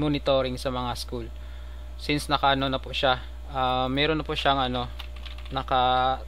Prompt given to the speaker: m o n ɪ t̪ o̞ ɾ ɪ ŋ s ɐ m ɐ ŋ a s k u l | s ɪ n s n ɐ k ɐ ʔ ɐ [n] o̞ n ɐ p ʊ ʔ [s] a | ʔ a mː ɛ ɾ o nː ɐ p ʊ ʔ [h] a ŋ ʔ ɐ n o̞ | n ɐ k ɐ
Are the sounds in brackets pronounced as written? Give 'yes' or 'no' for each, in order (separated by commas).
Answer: yes, no, no